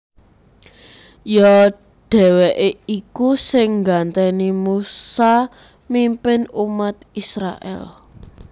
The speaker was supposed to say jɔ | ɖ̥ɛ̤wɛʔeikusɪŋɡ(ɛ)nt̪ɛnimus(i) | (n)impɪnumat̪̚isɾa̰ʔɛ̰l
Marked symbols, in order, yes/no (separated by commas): no, no, no